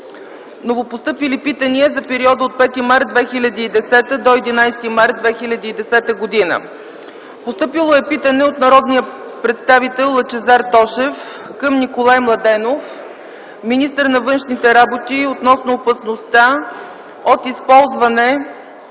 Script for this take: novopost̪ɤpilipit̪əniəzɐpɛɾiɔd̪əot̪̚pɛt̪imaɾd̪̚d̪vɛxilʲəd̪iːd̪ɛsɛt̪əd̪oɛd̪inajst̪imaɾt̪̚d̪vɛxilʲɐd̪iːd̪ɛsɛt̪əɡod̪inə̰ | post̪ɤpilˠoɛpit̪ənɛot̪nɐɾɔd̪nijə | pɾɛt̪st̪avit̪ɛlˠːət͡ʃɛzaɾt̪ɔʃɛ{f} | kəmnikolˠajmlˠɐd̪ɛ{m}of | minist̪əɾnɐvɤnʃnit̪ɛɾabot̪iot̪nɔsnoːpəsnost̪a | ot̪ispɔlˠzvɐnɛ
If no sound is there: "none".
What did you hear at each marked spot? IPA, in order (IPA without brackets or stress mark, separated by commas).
f, n